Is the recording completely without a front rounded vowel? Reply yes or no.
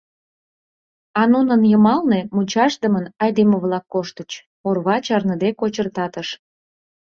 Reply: yes